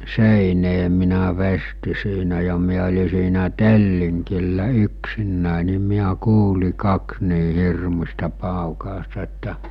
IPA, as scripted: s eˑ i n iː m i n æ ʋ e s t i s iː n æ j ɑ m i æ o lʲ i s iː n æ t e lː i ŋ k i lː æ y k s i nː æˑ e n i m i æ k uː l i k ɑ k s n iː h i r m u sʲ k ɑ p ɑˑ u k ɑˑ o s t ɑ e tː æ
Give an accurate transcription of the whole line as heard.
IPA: s eˑ i n eː m i n æ ʋ e s t i s iː n æ j ɑ m i æ o lʲ i s iː n æ t e lː i ŋ k i lː æ y k s i nː æˑ e n i m i æ k uː l i k ɑ k s n iː h i r m u sʲ t ɑ p ɑˑ u k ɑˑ o s t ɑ e tː æ